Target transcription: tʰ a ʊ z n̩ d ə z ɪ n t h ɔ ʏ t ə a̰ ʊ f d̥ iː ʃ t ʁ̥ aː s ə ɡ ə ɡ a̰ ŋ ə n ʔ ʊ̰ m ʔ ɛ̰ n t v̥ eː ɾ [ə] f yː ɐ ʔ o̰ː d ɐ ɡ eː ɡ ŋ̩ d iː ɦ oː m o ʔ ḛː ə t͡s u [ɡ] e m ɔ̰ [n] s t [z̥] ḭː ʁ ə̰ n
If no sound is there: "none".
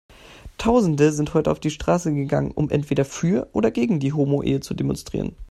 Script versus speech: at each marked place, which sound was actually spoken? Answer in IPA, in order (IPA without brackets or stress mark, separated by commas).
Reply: ɐ, d, n, ʁ̥